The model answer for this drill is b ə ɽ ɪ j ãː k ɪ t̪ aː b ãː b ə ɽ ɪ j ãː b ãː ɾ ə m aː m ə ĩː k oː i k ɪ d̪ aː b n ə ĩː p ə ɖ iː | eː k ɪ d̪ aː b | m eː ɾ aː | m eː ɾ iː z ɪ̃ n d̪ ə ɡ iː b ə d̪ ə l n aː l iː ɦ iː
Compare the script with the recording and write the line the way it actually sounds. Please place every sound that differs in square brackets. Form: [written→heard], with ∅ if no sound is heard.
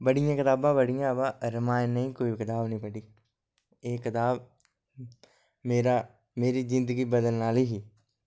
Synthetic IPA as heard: b ə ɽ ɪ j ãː k ɪ t̪ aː b ãː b ə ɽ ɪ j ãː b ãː ɾ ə m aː [m→n] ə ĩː k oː i k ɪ [d̪→t̪] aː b n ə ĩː p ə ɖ iː | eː k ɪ [d̪→t̪] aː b | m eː ɾ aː | m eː ɾ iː z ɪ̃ n d̪ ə ɡ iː b ə d̪ ə l n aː l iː ɦ iː